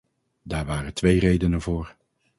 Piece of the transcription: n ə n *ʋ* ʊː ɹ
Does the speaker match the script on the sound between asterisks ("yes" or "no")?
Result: no